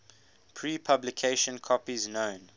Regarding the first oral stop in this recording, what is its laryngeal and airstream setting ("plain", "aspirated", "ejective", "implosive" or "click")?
aspirated